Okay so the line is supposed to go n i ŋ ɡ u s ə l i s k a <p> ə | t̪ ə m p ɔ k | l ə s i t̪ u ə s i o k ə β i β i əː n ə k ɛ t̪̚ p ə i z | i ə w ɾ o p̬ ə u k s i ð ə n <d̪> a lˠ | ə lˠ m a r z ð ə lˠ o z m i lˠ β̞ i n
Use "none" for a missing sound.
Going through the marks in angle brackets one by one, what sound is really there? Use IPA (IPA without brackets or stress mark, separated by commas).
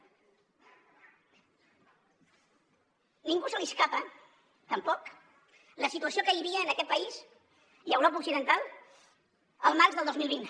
p, t̪